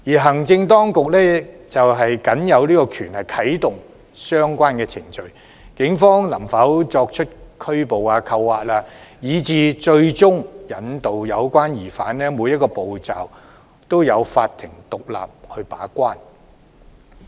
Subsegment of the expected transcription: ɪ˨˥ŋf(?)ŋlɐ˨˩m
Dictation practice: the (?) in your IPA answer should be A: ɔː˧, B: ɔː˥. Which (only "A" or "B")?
B